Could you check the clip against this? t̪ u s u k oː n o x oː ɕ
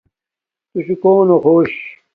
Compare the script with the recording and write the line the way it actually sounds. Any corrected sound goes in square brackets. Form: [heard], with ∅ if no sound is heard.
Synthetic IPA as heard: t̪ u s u k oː n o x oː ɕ

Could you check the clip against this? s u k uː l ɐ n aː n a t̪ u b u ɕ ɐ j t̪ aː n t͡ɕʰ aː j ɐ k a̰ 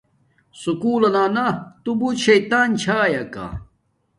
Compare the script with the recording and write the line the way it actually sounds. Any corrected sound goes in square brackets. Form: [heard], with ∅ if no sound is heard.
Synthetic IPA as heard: s u k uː l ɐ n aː n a t̪ u b u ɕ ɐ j t̪ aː n t͡ɕʰ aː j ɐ k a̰

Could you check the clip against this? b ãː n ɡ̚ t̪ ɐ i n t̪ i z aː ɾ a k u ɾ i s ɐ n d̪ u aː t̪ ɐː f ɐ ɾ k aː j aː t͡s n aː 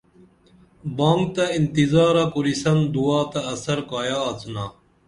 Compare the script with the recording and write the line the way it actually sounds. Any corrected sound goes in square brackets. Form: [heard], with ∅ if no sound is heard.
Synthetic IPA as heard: b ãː [ŋ] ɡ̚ t̪ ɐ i n t̪ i z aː ɾ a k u ɾ i s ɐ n d̪ u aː t̪ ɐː [s] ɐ ɾ k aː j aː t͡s n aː

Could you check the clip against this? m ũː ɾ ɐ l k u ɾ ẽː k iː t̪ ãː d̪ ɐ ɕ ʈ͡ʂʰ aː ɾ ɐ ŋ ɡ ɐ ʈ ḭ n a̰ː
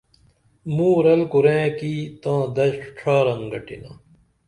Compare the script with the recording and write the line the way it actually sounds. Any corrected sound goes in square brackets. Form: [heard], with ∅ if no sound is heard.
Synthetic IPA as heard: m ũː ɾ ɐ l k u ɾ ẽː k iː t̪ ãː d̪ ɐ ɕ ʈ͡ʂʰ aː ɾ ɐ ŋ ɡ ɐ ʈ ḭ n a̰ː

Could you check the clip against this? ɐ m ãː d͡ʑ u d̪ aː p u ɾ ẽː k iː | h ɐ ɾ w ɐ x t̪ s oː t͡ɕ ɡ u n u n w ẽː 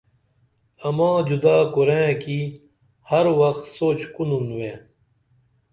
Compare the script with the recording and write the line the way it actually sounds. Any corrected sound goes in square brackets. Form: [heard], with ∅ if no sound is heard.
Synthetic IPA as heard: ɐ m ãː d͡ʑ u d̪ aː [k] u ɾ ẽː k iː | h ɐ ɾ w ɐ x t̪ s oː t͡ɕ [k] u n u n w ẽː

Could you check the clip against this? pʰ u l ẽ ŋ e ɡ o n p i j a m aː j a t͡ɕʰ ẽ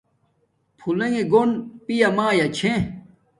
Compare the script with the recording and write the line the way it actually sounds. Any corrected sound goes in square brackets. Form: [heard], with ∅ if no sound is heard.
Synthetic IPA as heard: pʰ u l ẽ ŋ e ɡ o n p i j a m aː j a t͡ɕʰ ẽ

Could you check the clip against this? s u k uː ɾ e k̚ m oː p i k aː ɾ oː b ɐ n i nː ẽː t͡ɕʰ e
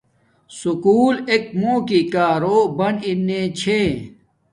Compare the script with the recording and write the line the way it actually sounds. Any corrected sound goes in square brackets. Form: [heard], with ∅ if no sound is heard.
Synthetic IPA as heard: s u k uː [l] e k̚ m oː [k] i k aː ɾ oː b ɐ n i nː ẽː t͡ɕʰ e

